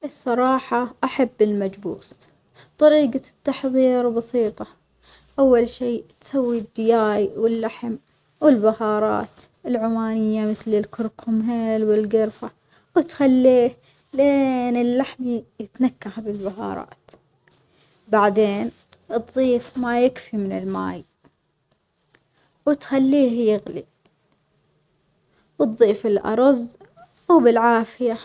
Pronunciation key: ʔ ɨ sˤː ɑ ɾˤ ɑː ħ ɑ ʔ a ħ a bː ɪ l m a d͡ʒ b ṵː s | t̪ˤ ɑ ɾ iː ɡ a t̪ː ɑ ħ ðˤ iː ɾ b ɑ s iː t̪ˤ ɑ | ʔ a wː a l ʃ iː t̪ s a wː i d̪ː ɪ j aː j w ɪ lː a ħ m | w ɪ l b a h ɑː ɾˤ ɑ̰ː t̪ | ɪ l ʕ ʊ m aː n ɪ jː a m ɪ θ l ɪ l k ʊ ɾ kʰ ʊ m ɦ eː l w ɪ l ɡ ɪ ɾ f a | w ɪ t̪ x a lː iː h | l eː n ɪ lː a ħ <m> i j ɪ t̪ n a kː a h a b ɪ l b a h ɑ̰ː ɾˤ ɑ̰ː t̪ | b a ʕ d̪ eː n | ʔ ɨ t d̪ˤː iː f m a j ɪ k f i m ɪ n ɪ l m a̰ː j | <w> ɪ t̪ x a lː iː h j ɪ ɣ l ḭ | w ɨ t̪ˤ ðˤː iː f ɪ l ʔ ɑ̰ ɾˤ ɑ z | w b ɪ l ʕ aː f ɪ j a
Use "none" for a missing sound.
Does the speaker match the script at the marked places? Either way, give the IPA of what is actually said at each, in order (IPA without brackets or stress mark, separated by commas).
m, w